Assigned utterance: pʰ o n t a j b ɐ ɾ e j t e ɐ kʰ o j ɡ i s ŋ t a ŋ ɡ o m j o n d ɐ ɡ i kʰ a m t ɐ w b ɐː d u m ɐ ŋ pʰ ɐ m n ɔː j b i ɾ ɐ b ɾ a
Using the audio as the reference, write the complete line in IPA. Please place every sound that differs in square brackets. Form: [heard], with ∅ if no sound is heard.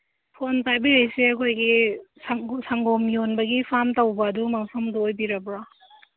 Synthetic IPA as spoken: pʰ o n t a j b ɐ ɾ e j [s] e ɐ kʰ o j ɡ i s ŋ [s] a ŋ ɡ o m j o n [b] ɐ ɡ i [pʰ] a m t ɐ w b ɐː d u m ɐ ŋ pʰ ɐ m [d] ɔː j b i ɾ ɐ b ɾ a

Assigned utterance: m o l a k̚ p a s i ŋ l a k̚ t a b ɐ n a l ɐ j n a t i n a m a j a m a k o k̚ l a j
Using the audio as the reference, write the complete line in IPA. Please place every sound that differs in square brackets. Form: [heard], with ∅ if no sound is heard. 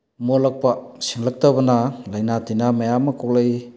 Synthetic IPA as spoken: m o l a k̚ p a s i ŋ l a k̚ t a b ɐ n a l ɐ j n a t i n a m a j a m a k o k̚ l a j

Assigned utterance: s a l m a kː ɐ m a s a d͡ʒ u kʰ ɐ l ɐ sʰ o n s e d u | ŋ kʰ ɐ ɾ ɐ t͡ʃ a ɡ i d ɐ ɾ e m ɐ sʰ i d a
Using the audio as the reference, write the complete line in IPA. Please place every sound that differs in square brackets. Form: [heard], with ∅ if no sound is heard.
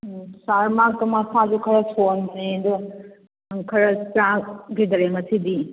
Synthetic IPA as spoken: s a [ɾ] m a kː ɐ m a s a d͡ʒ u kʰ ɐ [ɾ] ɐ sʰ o n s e d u | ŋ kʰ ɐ ɾ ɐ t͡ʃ a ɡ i d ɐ ɾ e m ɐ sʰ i d [i]

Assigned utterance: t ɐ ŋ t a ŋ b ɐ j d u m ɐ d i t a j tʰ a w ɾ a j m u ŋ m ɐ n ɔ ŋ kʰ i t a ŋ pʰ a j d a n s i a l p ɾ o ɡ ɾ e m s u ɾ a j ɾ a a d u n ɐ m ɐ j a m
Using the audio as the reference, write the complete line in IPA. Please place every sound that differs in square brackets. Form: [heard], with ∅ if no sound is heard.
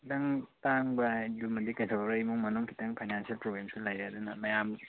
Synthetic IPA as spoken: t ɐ ŋ t a ŋ b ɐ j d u m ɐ d i [k] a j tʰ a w ɾ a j m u ŋ m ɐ n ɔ ŋ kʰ i t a ŋ pʰ a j [n] a n s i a l p ɾ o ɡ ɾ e m s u [l] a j ɾ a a d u n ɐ m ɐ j a m

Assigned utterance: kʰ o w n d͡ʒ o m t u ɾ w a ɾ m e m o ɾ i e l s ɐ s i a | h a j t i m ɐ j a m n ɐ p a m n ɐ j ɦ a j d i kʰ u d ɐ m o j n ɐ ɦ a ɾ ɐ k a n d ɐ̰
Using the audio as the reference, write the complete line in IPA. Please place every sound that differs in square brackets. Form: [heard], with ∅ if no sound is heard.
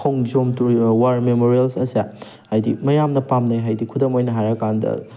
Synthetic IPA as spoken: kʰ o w [ŋ] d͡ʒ o m t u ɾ w a ɾ m e m o ɾ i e l s ɐ s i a | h a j [d] i m ɐ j a m n ɐ p a m n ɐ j ɦ a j d i kʰ u d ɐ m o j n ɐ ɦ a ɾ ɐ k a n d ɐ̰

